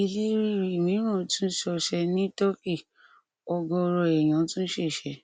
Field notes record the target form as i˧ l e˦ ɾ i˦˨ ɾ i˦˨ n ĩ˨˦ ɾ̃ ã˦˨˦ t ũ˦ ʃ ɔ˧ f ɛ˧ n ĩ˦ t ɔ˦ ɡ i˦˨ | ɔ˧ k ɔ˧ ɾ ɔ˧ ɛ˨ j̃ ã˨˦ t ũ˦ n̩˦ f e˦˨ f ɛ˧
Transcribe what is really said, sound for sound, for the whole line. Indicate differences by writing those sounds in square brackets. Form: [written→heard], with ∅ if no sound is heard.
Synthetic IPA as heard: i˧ l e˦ ɾ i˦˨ ɾ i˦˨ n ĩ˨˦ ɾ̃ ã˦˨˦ t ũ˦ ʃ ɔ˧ [f→ʃ] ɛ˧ n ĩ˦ t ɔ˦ [ɡ→k] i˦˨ | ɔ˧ [k→ɡ] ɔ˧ ɾ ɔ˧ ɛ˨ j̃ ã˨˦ t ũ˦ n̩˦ [f→ʃ] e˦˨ [f→ʃ] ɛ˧